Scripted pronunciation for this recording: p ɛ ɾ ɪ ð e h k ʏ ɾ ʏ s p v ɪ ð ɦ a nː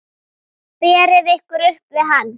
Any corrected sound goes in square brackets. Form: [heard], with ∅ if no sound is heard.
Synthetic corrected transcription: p [ɛː] ɾ ɪ ð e h k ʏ ɾ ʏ [h] p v ɪ ð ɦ a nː

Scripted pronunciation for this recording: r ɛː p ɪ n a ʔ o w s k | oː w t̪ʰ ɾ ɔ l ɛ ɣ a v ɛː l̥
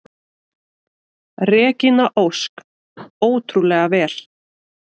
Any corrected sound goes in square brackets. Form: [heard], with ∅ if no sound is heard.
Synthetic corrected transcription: r ɛː [c] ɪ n a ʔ o w s k | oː w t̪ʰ ɾ [u] l ɛ ɣ a v ɛː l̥

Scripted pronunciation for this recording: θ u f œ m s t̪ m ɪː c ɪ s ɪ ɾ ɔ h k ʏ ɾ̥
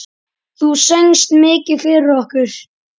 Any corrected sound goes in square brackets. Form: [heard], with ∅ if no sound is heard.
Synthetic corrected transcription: θ u [s] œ [ŋ] s t̪ m ɪː c ɪ [f] ɪ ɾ ɔ h k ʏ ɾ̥

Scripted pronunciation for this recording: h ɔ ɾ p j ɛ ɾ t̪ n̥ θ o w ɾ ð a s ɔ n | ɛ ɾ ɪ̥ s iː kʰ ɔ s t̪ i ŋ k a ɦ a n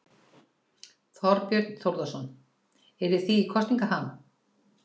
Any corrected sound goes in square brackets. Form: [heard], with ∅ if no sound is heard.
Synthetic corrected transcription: [θ] ɔ ɾ p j [œ] ɾ t̪ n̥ θ o w ɾ ð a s ɔ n | ɛ ɾ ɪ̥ [θ] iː kʰ ɔ s t̪ i ŋ k a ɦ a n

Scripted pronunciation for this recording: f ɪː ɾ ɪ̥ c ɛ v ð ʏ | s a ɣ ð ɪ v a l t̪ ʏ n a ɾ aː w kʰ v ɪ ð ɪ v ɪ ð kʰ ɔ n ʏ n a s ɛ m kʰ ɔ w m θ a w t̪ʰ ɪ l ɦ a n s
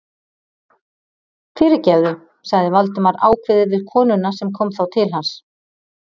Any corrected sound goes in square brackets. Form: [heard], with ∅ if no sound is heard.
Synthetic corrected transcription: f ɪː ɾ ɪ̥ c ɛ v ð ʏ | s a ɣ ð ɪ v a l t̪ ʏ [m] a ɾ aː w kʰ v ɪ ð ɪ v ɪ ð kʰ [ɔː] n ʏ n a s ɛ m kʰ ɔ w m θ a w t̪ʰ ɪ l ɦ a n s

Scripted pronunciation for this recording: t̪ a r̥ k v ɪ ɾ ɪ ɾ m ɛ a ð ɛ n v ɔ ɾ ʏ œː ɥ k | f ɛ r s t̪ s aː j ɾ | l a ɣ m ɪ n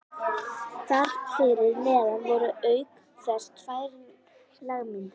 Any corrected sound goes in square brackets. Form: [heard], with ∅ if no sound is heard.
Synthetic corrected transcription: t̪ a r̥ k [f] ɪ ɾ ɪ ɾ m ɛ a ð [a] n v ɔ ɾ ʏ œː ɥ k | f ɛ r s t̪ [f] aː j ɾ | l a ɣ m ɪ n

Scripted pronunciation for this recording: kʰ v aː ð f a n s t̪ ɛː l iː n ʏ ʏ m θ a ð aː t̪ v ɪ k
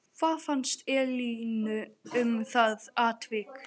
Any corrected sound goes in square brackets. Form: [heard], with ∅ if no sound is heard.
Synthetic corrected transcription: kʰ v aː ð f a n s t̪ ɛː l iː n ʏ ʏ m θ a ð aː t̪ v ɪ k

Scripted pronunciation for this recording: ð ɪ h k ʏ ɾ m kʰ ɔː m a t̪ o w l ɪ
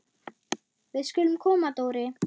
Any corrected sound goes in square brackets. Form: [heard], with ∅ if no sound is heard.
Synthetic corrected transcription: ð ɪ [s] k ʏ [l] m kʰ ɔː m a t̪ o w [ɾ] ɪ

